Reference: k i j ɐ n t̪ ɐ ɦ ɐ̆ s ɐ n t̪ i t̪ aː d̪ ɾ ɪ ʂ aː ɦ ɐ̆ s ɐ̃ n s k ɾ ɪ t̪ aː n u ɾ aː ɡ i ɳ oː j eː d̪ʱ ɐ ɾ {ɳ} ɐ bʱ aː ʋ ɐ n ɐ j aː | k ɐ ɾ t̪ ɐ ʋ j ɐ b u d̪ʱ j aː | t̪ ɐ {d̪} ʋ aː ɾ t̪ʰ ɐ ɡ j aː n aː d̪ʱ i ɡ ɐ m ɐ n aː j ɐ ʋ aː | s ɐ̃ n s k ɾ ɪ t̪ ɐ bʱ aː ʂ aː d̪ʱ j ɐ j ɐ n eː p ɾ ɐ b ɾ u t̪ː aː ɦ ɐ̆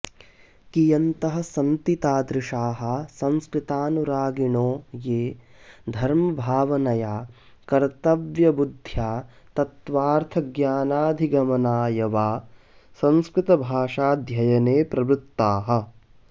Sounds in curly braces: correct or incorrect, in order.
incorrect, incorrect

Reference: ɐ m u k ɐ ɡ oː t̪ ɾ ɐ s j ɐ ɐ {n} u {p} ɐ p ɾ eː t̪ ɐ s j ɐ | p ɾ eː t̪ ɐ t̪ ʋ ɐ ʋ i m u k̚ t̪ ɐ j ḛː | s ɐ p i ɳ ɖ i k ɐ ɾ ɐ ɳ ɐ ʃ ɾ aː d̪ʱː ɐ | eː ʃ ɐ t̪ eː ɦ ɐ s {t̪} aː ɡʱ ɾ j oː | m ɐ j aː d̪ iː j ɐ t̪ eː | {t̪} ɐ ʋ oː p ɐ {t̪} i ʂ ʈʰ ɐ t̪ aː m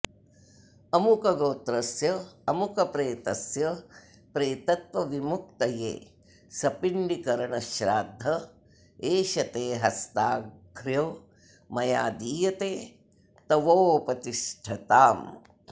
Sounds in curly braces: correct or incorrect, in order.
incorrect, incorrect, correct, correct, correct

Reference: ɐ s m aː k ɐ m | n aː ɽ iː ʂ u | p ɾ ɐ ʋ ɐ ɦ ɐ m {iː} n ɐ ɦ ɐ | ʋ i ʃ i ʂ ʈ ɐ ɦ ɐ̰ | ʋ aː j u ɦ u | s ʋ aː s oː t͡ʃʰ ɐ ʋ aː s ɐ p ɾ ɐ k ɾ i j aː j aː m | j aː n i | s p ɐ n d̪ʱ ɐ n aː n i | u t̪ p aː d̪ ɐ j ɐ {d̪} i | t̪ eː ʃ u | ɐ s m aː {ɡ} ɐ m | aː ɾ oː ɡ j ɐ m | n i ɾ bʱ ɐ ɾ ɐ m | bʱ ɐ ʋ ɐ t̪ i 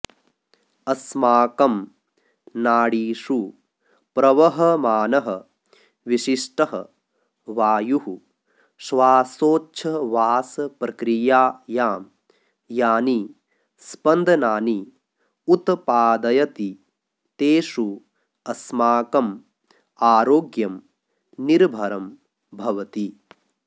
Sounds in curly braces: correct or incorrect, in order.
incorrect, incorrect, incorrect

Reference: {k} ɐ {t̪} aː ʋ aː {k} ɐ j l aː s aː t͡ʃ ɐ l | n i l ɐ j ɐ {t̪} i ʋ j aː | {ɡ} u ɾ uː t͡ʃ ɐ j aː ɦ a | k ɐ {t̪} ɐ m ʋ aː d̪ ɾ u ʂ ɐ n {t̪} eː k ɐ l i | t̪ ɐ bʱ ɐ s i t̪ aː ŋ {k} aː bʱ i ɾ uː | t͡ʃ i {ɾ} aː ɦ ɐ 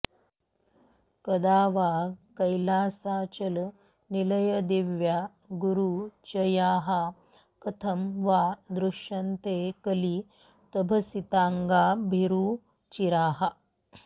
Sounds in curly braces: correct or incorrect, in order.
correct, incorrect, correct, incorrect, correct, incorrect, correct, incorrect, correct

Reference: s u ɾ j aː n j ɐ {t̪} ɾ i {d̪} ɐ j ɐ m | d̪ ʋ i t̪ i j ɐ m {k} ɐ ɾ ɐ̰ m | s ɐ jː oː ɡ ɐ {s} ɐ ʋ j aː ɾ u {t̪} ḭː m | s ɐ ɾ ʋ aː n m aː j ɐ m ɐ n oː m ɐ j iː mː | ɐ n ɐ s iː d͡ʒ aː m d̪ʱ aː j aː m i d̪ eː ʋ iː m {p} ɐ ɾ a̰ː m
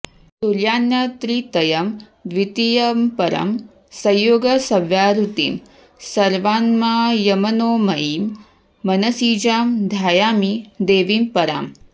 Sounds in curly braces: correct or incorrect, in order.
correct, incorrect, incorrect, correct, correct, correct

